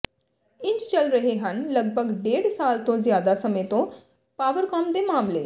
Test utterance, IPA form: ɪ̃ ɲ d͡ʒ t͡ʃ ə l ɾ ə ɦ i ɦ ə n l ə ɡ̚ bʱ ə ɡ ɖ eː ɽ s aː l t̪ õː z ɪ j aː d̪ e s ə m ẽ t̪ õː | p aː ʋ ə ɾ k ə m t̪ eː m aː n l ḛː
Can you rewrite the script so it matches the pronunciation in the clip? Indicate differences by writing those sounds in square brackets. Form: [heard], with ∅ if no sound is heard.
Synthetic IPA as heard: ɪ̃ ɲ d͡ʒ t͡ʃ ə l ɾ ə ɦ [e] ɦ ə n l ə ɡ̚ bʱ ə ɡ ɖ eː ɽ s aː l t̪ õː z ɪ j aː d̪ [a] s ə m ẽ t̪ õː | p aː ʋ ə ɾ k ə m [d̪] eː m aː [m] l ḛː